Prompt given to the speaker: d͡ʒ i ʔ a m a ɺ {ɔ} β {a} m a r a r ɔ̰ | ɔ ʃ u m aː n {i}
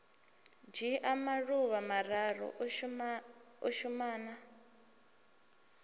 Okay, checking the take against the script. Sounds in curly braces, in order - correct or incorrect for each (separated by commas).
incorrect, correct, incorrect